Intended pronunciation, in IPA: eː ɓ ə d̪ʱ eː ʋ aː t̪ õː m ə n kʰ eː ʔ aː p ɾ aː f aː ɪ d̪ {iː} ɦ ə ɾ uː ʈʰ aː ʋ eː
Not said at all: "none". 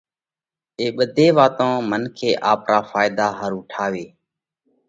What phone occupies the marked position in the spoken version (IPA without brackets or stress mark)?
aː